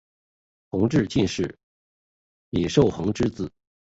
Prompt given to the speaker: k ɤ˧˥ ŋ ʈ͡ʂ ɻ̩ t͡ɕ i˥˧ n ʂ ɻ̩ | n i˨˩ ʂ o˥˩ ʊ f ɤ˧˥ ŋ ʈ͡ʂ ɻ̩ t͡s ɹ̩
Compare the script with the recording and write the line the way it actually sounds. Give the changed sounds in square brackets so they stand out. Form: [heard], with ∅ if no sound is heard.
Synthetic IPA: [x] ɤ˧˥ ŋ ʈ͡ʂ ɻ̩ t͡ɕ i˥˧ n ʂ ɻ̩ | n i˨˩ ʂ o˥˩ ʊ [x] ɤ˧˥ ŋ ʈ͡ʂ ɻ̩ t͡s ɹ̩

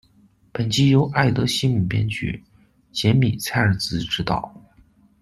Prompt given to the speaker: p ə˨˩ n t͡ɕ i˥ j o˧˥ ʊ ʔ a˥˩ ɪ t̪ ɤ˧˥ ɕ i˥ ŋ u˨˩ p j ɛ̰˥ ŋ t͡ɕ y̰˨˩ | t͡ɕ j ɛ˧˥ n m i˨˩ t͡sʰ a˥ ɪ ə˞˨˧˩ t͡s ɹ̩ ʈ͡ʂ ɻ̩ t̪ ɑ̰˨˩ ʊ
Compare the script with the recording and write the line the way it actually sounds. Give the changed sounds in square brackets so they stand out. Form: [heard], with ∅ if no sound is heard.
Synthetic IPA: p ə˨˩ n t͡ɕ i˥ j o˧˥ ʊ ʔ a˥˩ ɪ t̪ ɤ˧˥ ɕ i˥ [m] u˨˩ p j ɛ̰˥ [n] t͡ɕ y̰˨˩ | t͡ɕ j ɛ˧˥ n m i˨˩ t͡sʰ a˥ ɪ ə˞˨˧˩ t͡s ɹ̩ ʈ͡ʂ ɻ̩ t̪ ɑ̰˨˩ ʊ

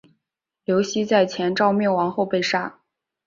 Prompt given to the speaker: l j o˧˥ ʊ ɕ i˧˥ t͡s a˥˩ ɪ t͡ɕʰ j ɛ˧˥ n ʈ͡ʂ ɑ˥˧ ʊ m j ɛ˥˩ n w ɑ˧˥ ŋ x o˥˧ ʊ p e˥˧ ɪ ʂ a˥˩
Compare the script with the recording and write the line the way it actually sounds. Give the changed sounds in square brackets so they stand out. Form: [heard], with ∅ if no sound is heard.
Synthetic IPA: l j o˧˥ ʊ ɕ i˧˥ t͡s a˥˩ ɪ t͡ɕʰ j ɛ˧˥ n ʈ͡ʂ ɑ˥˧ ʊ m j ɛ˥˩ n w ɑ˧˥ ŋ x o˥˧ ʊ p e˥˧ ɪ ʂ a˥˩

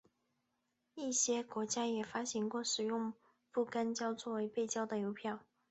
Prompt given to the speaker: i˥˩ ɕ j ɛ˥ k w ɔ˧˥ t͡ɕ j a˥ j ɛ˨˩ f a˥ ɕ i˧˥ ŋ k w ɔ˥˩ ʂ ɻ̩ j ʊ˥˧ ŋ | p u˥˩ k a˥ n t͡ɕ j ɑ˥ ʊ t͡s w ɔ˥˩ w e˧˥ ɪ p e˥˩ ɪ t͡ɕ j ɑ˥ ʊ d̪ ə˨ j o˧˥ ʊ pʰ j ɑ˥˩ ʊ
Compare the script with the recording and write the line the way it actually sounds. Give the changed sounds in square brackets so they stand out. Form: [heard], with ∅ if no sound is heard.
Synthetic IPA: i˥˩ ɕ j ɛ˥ k w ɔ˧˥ t͡ɕ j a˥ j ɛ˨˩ f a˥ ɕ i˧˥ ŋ k w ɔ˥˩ ʂ ɻ̩ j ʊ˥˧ ŋ | p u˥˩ k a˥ n t͡ɕ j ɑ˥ ʊ t͡s w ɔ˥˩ w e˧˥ ɪ p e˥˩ ɪ t͡ɕ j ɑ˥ ʊ d̪ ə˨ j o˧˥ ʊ pʰ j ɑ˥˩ ʊ

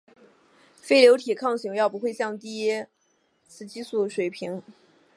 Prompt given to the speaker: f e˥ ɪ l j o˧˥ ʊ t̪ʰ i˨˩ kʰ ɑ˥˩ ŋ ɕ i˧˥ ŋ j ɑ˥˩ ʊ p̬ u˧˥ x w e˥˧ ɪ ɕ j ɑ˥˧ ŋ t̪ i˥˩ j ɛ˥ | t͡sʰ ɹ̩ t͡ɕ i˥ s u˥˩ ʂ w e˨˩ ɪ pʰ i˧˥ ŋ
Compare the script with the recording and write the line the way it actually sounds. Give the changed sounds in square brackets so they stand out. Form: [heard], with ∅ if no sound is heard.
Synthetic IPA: f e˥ ɪ l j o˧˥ ʊ t̪ʰ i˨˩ kʰ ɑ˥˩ ŋ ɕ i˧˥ ŋ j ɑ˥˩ ʊ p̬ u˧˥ x w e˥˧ ɪ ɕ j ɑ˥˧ ŋ t̪ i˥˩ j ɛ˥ | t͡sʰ ɹ̩ t͡ɕ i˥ s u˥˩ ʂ w e˨˩ ɪ pʰ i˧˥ ŋ

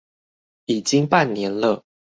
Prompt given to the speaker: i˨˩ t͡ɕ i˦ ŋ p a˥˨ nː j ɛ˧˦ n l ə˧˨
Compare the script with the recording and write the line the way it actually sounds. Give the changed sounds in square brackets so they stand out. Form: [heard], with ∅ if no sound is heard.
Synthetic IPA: i˨˩ t͡ɕ i˦ ŋ p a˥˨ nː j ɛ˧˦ n l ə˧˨

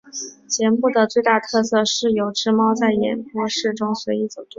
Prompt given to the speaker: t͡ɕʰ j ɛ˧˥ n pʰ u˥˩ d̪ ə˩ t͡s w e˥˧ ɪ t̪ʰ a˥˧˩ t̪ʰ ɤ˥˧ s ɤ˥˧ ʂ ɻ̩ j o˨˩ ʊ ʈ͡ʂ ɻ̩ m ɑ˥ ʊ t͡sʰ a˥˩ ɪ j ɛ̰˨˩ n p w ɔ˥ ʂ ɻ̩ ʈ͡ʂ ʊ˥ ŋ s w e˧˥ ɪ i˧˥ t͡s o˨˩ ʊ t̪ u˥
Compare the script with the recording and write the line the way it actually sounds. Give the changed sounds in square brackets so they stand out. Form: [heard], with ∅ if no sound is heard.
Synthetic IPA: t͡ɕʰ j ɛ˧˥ n [p] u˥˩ d̪ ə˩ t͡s w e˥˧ ɪ [t̪] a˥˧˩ t̪ʰ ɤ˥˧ s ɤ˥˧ ʂ ɻ̩ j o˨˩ ʊ ʈ͡ʂ ɻ̩ m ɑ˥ ʊ [t͡s] a˥˩ ɪ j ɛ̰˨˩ n p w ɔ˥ ʂ ɻ̩ ʈ͡ʂ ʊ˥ ŋ s w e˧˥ ɪ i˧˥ t͡s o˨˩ ʊ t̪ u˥

